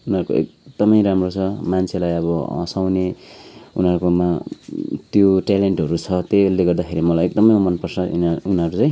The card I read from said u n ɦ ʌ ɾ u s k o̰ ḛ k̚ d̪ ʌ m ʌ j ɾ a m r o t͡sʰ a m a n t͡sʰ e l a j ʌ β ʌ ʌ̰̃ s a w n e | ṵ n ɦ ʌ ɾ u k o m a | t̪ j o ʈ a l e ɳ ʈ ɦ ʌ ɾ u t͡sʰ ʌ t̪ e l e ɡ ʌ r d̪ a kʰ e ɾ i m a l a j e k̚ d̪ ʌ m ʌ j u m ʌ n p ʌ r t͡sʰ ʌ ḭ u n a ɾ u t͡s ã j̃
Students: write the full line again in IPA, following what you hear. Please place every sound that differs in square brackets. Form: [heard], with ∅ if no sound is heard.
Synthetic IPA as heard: u n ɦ ʌ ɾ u [∅] k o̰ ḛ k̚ d̪ ʌ m ʌ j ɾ a m r o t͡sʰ [ʌ] m a n t͡sʰ e l a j ʌ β ʌ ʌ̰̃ s a w n e | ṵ n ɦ ʌ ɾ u k o m a | t̪ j o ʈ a l e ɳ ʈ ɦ ʌ ɾ u t͡sʰ ʌ t̪ e l e ɡ ʌ r d̪ a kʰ e ɾ i m [ʌ] l a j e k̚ d̪ ʌ m ʌ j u m ʌ n p ʌ r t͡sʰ ʌ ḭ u n [ʌ] ɾ u t͡s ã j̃

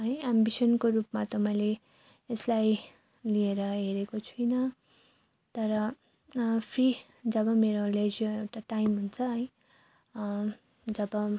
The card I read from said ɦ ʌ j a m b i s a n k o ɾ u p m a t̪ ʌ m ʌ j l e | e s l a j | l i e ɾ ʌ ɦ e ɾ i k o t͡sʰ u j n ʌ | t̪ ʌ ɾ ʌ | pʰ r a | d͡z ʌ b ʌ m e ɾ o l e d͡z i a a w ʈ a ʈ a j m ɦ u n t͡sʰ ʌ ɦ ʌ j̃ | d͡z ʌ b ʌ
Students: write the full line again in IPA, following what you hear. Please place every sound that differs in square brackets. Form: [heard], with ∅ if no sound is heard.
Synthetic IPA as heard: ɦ ʌ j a m b i s [ʌ] n k o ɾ u p m a t̪ ʌ m ʌ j l e | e s l a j | l i e ɾ ʌ ɦ e ɾ [e] k o t͡sʰ u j n ʌ | t̪ ʌ ɾ ʌ | pʰ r [i] | d͡z ʌ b ʌ m e ɾ o l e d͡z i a [e] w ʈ a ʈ a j m ɦ u n t͡sʰ ʌ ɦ ʌ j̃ | d͡z ʌ b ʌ

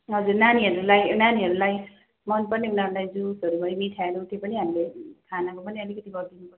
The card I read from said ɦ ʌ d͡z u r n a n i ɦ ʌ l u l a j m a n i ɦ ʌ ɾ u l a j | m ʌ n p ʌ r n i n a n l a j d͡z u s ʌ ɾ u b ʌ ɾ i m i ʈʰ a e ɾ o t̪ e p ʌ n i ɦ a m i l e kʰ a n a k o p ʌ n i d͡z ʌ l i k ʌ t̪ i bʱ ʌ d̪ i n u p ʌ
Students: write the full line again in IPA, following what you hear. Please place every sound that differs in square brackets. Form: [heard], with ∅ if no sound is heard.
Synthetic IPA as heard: ɦ ʌ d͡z u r n a n i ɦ ʌ [ɾ] u l a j [n] a n i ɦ ʌ ɾ u l a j | m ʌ n p ʌ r n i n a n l a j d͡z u s ʌ ɾ u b ʌ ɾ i m i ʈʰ a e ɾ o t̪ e p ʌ n i ɦ a m i l e kʰ a n a k o p ʌ n i [∅] ʌ l i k ʌ t̪ i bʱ ʌ d̪ i n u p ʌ

